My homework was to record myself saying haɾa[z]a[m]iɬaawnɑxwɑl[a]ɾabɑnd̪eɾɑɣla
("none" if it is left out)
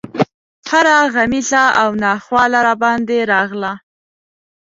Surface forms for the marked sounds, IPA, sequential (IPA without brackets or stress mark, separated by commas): ɣ, m, a